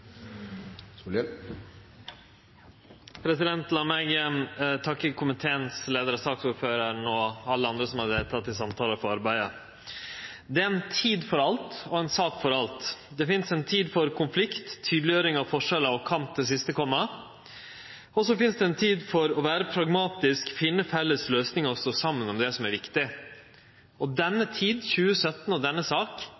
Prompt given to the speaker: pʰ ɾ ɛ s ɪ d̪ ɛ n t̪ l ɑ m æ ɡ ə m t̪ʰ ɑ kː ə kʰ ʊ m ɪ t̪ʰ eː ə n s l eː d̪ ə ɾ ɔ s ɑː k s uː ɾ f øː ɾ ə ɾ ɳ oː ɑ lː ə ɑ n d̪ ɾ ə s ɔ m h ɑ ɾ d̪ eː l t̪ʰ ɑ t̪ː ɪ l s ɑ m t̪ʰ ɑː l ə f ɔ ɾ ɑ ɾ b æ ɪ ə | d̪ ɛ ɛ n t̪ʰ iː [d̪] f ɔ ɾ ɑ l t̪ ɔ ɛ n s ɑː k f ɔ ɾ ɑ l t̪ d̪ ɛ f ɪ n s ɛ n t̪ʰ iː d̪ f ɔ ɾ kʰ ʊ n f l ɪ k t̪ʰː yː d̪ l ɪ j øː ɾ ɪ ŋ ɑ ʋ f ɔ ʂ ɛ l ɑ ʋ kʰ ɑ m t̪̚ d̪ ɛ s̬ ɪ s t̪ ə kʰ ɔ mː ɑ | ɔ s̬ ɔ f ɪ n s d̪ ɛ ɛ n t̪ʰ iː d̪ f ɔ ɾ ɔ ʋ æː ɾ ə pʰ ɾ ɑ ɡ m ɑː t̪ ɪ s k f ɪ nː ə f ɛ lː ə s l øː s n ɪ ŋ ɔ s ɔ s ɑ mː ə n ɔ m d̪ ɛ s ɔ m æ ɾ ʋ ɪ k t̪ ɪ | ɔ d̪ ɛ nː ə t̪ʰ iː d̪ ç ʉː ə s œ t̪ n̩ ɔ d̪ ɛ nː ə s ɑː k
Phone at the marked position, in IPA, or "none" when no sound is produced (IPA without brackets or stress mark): d̪